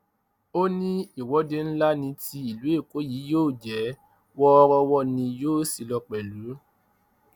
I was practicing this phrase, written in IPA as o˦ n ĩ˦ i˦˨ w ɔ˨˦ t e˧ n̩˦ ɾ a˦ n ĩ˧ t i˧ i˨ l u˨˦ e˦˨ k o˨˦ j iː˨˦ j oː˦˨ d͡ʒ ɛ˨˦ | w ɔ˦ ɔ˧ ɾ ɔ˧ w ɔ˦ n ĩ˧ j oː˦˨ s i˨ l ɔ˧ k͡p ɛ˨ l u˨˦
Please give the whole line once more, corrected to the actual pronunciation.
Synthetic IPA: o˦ n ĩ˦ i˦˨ w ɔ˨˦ d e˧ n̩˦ l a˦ n ĩ˧ t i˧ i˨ l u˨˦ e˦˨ k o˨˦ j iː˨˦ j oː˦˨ d͡ʒ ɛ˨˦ | w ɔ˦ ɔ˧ ɾ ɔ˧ w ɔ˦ n ĩ˧ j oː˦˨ s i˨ l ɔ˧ k͡p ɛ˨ l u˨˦